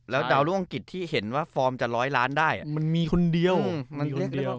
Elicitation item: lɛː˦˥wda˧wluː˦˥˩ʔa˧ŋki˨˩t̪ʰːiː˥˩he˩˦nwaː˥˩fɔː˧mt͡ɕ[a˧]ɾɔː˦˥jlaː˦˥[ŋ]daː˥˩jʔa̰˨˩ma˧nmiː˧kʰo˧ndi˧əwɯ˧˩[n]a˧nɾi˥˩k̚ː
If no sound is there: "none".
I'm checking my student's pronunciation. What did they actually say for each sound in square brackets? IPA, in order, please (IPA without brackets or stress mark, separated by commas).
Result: a˨˩, n, m